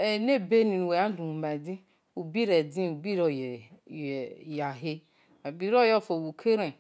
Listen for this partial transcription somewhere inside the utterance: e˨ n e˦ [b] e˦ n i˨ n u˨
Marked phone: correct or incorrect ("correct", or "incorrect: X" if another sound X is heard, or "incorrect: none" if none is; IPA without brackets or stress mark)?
correct